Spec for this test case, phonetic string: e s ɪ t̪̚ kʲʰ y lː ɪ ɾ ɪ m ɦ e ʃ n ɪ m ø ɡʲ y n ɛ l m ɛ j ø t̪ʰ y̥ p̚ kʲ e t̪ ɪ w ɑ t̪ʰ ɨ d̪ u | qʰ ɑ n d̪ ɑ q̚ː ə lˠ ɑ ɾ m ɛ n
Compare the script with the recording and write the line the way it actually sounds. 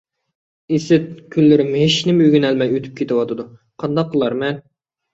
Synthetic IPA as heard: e s ɪ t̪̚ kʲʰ y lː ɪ ɾ ɪ m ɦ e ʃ n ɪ m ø ɡʲ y n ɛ l m ɛ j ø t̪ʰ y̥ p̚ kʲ e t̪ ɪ w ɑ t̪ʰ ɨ d̪ u | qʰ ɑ n d̪ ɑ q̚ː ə lˠ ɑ ɾ m ɛ n